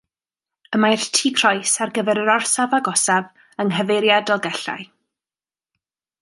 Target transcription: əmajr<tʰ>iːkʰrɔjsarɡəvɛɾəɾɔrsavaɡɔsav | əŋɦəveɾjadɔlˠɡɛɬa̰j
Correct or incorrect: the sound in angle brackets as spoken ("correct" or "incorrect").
correct